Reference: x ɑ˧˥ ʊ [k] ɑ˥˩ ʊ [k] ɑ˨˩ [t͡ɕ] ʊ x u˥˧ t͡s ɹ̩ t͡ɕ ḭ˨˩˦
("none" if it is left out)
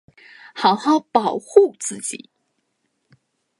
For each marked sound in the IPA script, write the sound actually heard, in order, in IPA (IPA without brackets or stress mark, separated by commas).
x, p, none